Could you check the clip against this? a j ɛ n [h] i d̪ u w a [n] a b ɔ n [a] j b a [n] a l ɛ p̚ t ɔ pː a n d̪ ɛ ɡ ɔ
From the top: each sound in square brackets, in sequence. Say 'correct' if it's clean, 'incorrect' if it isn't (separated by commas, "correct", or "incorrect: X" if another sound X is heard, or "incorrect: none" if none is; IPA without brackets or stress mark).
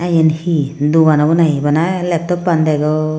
correct, correct, correct, correct